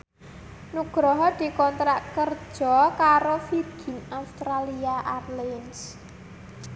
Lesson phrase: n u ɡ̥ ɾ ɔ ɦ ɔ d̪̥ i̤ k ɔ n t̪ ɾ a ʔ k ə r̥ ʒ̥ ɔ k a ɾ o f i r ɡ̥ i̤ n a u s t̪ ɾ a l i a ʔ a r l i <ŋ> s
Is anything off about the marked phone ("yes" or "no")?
yes